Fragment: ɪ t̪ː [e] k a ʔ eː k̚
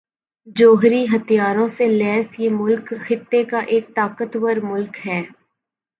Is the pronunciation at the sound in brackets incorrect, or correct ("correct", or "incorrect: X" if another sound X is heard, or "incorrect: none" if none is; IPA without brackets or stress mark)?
correct